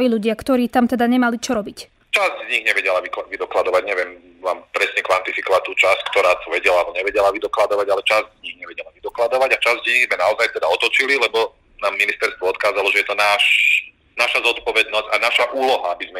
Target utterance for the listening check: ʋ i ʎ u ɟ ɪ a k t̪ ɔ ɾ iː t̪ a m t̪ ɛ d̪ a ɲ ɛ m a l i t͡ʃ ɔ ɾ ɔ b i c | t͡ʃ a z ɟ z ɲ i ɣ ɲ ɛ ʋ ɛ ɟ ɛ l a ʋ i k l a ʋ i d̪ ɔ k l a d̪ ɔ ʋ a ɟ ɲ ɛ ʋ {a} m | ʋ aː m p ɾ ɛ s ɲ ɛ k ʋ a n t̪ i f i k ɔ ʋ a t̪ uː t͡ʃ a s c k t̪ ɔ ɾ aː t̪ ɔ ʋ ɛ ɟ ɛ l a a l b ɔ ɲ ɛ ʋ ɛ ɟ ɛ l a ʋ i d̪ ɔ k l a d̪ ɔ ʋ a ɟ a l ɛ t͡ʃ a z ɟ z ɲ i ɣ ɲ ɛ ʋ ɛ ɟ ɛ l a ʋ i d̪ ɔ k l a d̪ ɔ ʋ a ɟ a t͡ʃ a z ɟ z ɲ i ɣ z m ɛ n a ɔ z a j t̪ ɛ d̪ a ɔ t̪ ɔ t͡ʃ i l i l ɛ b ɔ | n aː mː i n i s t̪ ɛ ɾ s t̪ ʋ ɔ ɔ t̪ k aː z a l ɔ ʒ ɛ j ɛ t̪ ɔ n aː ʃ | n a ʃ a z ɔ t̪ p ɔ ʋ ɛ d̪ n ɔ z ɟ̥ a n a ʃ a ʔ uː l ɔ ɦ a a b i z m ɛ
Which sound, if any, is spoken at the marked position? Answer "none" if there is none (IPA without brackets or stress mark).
ɛ